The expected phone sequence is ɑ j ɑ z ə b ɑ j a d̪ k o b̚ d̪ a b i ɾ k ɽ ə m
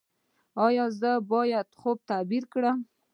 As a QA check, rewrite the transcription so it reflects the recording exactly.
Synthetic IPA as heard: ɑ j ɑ z ə b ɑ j a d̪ x o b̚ t̪ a b i ɾ k ɽ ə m